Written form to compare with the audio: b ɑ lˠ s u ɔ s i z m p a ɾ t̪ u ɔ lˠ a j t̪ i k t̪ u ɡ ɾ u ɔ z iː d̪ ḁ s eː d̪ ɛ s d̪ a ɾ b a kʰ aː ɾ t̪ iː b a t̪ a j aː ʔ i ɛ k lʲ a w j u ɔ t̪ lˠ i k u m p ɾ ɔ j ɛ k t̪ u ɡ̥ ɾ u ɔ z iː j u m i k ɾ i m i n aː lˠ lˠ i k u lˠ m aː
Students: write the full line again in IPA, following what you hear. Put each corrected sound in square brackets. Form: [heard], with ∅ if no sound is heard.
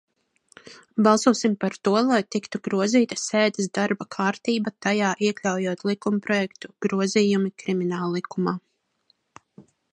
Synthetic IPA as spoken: b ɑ lˠ s u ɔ s i [∅] m p a ɾ t̪ u ɔ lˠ a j t̪ i k t̪ u ɡ ɾ u ɔ z iː [t̪] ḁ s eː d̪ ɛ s d̪ a ɾ b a kʰ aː ɾ t̪ iː b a t̪ a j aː ʔ i ɛ k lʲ a w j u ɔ t̪ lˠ i k u m p ɾ ɔ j ɛ k t̪ u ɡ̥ ɾ u ɔ z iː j u m i k ɾ i m i n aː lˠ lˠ i k u [∅] m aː